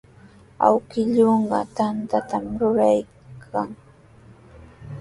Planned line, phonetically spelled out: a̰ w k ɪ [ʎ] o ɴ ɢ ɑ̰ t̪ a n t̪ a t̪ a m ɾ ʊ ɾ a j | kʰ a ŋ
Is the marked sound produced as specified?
yes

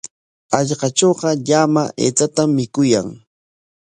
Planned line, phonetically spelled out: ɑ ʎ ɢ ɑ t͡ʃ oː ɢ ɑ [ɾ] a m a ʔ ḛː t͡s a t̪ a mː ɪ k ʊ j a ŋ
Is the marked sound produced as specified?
no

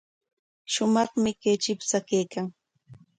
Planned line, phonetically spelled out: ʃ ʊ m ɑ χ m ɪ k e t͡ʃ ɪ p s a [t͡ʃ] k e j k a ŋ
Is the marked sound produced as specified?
no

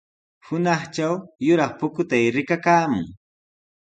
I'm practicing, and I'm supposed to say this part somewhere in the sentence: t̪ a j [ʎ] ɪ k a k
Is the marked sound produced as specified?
no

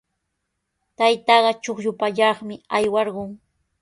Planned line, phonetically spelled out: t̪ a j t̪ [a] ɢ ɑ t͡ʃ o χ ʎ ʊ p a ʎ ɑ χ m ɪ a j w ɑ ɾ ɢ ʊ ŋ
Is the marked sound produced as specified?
no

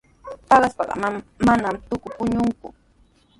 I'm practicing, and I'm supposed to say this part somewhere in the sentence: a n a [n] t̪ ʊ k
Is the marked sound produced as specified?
no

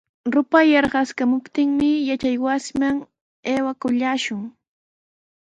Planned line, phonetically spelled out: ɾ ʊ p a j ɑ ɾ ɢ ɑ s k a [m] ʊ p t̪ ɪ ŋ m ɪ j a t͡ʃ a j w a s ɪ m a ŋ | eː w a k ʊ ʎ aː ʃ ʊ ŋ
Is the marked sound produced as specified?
yes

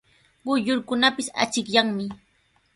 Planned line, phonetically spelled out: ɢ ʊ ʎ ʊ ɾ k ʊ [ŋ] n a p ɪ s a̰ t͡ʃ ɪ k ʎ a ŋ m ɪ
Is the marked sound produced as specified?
no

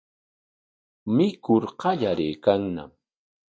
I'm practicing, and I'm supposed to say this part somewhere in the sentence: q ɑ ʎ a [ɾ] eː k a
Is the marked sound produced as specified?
yes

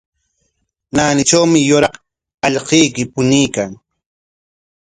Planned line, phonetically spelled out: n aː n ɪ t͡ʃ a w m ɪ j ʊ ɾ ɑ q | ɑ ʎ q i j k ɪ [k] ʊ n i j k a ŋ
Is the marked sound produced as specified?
no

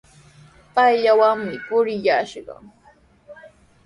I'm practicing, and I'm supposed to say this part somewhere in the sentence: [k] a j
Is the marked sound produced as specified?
no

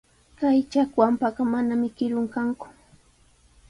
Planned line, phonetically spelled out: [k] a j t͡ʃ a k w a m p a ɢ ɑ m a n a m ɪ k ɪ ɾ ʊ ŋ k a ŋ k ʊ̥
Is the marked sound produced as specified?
yes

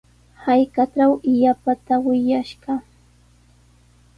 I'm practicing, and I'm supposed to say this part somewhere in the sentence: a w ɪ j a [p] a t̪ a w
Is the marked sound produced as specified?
yes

